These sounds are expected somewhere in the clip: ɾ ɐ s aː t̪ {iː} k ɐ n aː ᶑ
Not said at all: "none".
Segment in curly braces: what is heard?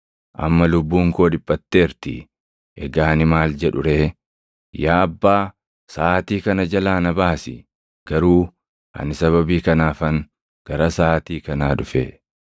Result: iː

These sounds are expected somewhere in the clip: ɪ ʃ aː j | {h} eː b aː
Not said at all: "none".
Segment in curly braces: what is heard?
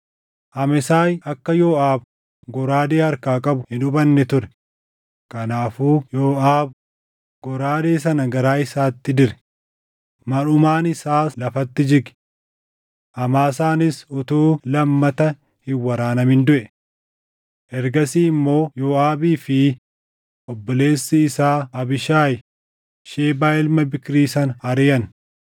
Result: ʃ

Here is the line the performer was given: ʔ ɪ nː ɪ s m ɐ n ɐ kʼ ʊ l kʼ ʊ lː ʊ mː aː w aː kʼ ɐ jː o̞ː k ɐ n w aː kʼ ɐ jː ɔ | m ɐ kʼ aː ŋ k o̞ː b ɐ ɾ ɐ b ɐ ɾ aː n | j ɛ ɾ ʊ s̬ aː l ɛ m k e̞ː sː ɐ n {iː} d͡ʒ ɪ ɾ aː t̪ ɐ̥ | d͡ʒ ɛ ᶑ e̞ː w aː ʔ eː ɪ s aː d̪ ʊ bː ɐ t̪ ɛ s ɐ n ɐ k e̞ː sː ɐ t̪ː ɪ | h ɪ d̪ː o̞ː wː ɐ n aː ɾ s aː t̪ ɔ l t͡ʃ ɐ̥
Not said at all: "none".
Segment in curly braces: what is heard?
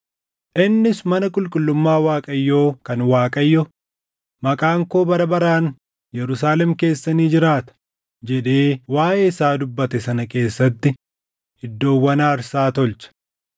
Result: iː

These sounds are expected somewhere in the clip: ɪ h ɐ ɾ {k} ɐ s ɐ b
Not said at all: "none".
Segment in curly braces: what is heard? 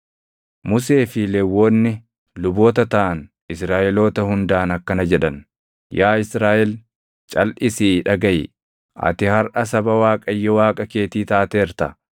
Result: ʔ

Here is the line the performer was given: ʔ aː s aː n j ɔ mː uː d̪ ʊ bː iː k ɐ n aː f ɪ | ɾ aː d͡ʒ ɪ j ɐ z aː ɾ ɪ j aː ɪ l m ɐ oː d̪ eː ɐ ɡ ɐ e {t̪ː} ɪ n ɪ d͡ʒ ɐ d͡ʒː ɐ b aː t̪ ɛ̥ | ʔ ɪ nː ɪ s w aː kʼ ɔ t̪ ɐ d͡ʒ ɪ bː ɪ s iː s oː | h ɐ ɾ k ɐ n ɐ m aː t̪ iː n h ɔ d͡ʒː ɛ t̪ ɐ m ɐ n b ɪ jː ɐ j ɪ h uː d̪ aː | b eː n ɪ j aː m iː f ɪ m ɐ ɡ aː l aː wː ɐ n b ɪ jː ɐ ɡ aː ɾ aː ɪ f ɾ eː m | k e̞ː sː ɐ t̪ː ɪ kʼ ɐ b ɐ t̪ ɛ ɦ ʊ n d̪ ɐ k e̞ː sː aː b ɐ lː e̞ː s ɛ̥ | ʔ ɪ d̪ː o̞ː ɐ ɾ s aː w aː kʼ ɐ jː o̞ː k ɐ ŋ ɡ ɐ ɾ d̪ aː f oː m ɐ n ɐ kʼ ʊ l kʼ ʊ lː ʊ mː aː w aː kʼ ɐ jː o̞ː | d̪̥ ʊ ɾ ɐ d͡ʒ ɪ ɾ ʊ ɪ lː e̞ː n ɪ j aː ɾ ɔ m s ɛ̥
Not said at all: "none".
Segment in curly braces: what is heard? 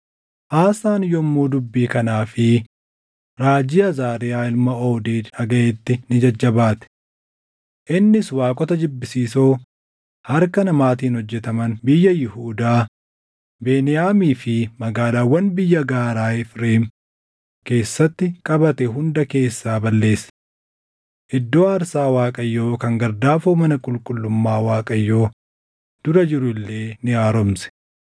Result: t̪ː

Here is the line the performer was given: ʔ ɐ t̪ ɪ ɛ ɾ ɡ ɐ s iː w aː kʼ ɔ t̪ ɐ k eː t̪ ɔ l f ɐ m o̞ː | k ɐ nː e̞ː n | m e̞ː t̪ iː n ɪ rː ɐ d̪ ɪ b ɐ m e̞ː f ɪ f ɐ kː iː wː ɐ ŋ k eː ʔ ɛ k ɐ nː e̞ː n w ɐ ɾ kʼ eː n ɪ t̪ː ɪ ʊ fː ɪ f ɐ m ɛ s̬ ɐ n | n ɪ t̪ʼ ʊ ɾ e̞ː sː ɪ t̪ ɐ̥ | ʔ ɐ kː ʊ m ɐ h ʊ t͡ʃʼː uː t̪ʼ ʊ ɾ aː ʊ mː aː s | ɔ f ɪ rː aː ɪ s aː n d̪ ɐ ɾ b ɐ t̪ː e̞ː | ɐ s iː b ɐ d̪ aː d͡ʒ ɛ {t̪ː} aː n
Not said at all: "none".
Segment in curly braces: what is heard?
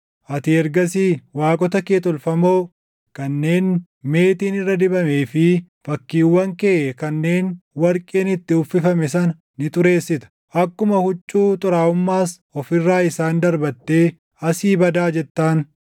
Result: t̪ː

